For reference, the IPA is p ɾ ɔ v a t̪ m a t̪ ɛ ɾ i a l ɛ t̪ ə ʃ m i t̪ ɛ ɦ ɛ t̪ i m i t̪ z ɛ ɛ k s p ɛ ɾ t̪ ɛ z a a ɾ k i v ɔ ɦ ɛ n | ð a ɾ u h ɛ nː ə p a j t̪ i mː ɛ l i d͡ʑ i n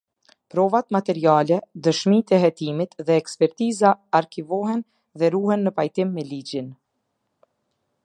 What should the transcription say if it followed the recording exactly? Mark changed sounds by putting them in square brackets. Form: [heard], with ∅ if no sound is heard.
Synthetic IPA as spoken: p ɾ ɔ v a t̪ m a t̪ ɛ ɾ i a l ɛ [d̪] ə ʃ m i t̪ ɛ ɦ ɛ t̪ i m i t̪ [ð] ɛ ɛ k s p ɛ ɾ t̪ [i] z a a ɾ k i v ɔ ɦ ɛ n | ð [ɛ] ɾ u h ɛ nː ə p a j t̪ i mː ɛ l i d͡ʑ i n